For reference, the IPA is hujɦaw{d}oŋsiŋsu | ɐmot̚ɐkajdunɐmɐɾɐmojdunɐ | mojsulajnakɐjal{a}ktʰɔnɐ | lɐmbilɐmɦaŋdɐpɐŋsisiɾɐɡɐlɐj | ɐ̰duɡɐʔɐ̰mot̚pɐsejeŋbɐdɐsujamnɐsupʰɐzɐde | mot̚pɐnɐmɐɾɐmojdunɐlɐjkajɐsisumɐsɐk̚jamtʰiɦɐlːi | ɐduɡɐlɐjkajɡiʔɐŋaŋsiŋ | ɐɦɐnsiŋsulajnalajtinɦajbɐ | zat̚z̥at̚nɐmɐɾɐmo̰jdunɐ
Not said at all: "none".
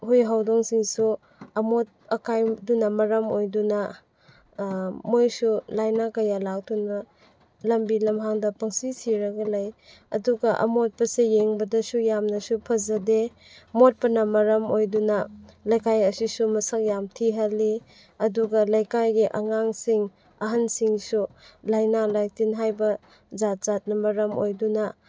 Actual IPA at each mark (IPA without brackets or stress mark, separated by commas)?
d, a